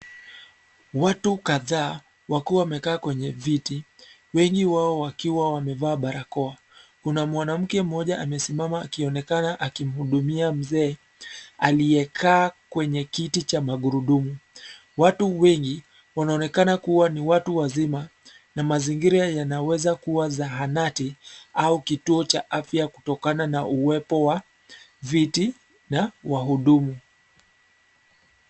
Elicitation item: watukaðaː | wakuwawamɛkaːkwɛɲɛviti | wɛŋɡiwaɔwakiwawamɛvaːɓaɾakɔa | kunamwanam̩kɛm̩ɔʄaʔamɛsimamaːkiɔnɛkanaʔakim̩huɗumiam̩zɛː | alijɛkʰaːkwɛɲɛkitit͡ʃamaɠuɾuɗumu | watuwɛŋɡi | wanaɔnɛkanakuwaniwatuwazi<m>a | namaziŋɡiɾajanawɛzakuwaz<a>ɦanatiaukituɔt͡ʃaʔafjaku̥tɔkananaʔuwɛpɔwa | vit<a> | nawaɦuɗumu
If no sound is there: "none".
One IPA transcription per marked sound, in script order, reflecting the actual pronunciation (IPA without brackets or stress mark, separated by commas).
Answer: m, a, i